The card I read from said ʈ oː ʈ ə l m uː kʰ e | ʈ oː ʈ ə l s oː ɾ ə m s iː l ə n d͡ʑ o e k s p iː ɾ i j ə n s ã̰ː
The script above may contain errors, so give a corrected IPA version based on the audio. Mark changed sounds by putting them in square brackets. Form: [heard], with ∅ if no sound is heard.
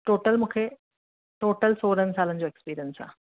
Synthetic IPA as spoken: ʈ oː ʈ ə l m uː kʰ e | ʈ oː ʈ ə l s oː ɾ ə [n] s [aː] l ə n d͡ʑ o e k s p iː ɾ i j ə n s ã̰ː

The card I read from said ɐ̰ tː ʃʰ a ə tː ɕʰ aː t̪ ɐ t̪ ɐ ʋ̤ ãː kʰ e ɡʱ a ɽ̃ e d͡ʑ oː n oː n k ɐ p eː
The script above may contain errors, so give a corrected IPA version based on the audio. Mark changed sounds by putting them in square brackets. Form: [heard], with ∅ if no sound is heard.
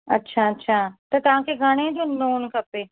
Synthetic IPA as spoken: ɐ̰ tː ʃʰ a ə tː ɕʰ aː t̪ ɐ t̪ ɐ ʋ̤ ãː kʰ e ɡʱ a ɽ̃ e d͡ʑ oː n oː n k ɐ p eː

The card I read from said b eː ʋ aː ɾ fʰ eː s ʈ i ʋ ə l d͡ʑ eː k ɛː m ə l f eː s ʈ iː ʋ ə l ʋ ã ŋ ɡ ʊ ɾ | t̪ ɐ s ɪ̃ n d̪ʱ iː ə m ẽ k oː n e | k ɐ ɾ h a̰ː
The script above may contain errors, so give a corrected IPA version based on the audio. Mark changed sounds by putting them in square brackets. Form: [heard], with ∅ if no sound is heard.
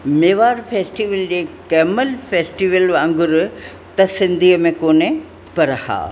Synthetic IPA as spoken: [m] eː ʋ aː ɾ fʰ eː s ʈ i ʋ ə l d͡ʑ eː k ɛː m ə l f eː s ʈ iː ʋ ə l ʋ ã ŋ ɡ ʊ ɾ | t̪ ɐ s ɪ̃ n d̪ʱ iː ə m ẽ k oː n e | [p] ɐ ɾ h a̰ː

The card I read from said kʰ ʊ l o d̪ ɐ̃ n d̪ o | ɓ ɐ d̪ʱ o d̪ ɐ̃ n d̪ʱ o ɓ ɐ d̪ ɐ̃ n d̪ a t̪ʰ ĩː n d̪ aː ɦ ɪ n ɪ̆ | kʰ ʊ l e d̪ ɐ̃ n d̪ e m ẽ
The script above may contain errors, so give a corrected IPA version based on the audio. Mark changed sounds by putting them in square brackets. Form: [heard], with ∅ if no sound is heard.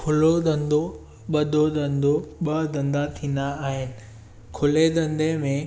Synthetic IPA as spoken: kʰ ʊ l o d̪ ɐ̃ n d̪ o | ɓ ɐ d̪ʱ o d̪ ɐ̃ n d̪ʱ o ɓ ɐ d̪ ɐ̃ n d̪ a t̪ʰ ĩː n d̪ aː ɦ ɪ n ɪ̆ | kʰ ʊ l e d̪ ɐ̃ n d̪ e m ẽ

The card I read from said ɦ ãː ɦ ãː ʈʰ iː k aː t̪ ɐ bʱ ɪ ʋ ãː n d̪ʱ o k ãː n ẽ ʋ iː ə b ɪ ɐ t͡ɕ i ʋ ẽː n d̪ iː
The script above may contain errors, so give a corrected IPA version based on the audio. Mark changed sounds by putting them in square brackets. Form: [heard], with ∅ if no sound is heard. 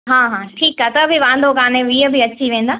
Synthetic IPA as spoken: ɦ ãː ɦ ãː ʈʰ iː k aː t̪ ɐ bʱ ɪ ʋ ãː n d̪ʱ o k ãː n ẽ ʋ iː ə b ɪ ɐ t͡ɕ i ʋ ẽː n d̪ [aː]

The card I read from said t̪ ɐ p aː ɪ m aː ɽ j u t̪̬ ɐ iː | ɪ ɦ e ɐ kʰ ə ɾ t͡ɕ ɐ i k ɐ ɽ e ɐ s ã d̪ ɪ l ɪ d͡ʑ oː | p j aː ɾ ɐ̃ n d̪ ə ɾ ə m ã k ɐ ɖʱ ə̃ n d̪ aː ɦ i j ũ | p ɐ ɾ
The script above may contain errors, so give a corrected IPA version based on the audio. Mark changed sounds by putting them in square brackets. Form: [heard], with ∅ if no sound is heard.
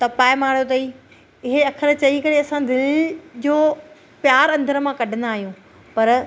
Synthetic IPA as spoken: t̪ ɐ p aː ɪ m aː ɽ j [o] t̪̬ ɐ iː | ɪ ɦ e ɐ kʰ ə ɾ t͡ɕ ɐ i k ɐ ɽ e ɐ s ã d̪ ɪ l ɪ d͡ʑ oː | p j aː ɾ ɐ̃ n d̪ ə ɾ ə m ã k ɐ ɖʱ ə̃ n d̪ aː ɦ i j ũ | p ɐ ɾ

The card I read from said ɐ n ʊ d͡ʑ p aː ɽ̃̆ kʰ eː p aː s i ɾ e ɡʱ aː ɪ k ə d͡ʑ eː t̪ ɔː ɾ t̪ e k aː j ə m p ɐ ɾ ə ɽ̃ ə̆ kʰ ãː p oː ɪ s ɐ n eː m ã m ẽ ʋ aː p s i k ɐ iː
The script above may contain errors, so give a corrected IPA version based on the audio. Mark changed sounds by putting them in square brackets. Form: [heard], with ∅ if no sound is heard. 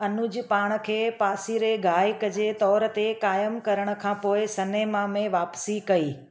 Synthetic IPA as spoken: ɐ n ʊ d͡ʑ p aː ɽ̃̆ kʰ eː p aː s i ɾ e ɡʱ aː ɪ k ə d͡ʑ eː t̪ ɔː ɾ t̪ e k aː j ə m [k] ɐ ɾ ə ɽ̃ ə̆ kʰ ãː p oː ɪ s ɐ n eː m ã m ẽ ʋ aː p s i k ɐ iː

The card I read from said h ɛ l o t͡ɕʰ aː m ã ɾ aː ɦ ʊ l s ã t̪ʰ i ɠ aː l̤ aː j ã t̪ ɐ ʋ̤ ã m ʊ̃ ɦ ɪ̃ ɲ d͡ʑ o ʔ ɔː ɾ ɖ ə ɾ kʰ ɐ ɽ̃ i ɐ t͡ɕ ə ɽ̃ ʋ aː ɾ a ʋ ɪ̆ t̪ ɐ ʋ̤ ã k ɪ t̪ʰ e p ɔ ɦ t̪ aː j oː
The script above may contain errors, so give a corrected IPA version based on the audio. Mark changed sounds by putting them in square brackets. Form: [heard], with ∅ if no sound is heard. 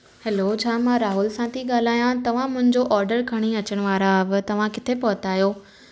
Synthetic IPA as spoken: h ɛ l o t͡ɕʰ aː m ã ɾ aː ɦ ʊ l s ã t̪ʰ i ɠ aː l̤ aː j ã t̪ ɐ ʋ̤ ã m ʊ̃ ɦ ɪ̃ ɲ d͡ʑ o ʔ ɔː ɾ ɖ ə ɾ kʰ ɐ ɽ̃ i ɐ t͡ɕ ə ɽ̃ ʋ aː ɾ a ʋ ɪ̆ t̪ ɐ ʋ̤ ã k ɪ t̪ʰ e p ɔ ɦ t̪ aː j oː

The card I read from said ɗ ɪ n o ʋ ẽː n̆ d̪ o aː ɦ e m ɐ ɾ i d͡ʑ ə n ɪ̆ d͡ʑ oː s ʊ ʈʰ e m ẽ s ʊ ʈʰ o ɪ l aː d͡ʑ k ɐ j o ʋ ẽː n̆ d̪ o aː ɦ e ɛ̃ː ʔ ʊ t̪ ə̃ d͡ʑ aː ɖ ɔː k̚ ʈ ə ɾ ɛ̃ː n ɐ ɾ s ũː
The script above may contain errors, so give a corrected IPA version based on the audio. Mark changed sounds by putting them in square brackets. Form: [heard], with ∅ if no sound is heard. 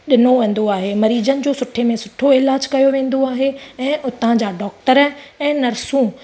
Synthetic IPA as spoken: ɗ ɪ n o ʋ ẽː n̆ d̪ o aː ɦ e m ɐ ɾ [iː] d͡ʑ ə n ɪ̆ d͡ʑ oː s ʊ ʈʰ e m ẽ s ʊ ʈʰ o ɪ l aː d͡ʑ k ɐ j o ʋ ẽː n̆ d̪ o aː ɦ e ɛ̃ː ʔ ʊ t̪ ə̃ d͡ʑ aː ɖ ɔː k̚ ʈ ə ɾ ɛ̃ː n ɐ ɾ s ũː

